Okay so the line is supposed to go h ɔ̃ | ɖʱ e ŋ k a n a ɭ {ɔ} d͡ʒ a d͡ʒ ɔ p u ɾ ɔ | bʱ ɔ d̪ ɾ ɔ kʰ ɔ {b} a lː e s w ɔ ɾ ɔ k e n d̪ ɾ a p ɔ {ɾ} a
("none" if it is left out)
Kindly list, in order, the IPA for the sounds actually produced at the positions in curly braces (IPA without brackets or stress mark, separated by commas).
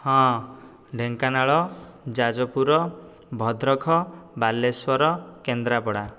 ɔ, b, ɽ